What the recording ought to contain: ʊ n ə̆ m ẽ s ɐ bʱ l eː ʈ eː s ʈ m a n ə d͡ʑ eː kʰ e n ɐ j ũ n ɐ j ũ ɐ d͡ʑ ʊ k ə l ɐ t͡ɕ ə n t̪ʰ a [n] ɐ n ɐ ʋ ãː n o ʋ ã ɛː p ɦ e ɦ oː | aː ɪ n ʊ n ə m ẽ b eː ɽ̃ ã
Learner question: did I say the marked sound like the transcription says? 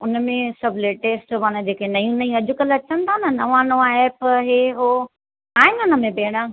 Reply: yes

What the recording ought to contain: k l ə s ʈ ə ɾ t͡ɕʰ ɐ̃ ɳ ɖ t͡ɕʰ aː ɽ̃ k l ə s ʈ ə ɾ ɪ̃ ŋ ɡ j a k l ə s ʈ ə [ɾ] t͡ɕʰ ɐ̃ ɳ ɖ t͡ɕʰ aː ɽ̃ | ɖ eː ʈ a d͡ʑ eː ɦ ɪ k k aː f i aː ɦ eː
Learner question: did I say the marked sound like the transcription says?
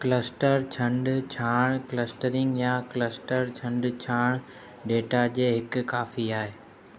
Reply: yes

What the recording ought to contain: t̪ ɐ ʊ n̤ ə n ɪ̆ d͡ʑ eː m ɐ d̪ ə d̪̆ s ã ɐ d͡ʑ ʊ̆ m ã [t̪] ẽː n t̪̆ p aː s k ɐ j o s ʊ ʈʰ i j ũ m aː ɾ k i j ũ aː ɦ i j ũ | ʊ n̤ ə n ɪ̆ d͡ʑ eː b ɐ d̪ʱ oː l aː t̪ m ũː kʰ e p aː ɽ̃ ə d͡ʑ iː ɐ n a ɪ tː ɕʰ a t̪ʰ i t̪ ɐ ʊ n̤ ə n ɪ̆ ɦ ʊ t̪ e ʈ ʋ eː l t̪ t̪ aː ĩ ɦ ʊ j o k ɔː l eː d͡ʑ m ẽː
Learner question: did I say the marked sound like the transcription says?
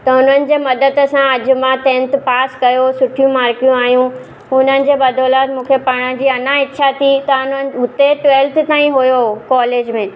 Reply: yes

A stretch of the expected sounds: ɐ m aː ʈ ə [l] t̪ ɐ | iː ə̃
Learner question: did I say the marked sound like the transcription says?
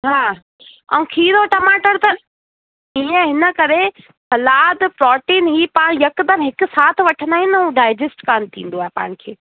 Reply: no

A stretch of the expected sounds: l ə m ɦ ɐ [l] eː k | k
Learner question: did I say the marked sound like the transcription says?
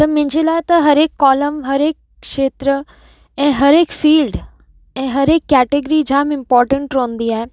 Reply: no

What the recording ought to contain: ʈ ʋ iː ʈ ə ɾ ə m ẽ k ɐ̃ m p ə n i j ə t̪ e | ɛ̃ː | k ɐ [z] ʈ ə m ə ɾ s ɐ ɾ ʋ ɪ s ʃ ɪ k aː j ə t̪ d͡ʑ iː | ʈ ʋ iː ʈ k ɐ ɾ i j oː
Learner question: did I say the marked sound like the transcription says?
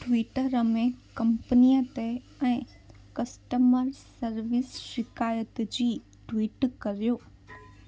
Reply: no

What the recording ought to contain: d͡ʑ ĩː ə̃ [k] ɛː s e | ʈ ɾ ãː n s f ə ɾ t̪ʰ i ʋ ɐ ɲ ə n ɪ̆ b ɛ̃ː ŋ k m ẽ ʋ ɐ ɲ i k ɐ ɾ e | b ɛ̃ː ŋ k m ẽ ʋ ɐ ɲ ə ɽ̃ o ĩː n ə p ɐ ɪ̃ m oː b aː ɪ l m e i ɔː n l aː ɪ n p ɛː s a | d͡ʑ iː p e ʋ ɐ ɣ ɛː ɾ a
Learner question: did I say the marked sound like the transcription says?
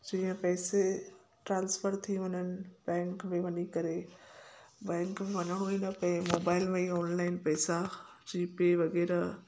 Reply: no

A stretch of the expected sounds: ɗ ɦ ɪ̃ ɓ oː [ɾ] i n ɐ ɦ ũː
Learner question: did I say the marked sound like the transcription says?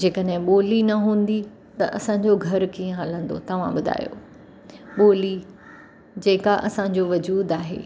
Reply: no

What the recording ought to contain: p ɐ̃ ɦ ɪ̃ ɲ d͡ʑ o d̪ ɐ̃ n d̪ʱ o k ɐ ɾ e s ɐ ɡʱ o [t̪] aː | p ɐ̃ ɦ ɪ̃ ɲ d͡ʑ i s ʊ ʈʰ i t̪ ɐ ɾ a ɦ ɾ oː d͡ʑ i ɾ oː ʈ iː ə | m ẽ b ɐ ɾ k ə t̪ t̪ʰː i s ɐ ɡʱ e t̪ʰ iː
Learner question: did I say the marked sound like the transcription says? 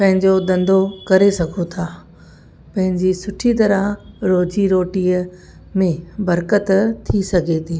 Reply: no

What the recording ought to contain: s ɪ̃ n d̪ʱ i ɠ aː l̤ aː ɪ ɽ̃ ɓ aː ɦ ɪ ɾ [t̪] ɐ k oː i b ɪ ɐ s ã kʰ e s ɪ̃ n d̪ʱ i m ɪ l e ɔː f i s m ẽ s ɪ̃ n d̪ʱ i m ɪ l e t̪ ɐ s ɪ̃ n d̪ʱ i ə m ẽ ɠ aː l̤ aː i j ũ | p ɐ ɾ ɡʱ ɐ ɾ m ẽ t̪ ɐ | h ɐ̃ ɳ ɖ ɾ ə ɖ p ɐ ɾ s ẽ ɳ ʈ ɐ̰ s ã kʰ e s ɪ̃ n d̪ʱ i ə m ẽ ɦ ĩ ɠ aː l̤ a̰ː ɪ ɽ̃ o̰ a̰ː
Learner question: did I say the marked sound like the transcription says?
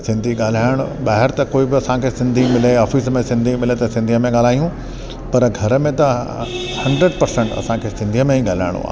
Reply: yes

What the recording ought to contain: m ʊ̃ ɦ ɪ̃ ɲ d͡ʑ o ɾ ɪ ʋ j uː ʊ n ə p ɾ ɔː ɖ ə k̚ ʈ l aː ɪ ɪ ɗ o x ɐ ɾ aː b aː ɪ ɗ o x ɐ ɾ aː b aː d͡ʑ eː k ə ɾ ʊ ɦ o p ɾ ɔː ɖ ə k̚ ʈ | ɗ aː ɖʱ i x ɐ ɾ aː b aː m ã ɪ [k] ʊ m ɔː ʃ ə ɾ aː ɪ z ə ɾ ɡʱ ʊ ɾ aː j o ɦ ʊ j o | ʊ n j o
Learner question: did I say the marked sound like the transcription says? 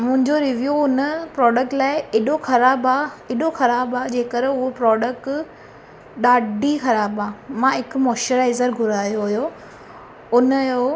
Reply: yes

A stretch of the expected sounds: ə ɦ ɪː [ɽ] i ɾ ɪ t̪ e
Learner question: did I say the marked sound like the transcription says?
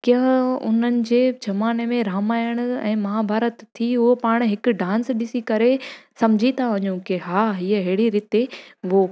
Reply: yes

